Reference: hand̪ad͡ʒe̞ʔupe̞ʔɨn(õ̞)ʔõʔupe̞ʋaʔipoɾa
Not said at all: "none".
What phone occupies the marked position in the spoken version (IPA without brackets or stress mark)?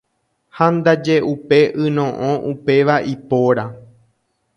õ̞